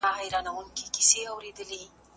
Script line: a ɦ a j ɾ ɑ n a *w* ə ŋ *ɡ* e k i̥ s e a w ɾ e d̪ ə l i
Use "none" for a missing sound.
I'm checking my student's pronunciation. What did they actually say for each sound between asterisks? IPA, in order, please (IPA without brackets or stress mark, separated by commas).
w, k